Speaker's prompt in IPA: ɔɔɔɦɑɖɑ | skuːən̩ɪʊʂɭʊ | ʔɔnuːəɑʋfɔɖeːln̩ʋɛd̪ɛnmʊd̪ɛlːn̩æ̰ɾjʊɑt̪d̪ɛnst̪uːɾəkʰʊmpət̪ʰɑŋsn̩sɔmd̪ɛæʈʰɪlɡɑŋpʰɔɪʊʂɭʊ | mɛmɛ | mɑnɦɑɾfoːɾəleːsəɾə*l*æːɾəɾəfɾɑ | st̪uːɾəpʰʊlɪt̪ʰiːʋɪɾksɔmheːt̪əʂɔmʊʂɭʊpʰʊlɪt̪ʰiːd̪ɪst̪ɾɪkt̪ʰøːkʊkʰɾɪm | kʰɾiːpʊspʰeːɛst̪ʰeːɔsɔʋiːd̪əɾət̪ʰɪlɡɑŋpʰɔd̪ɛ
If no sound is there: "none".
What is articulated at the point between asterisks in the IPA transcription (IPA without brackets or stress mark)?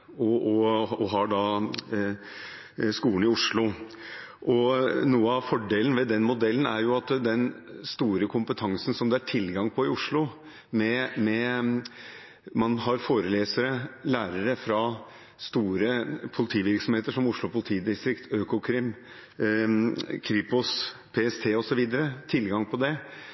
l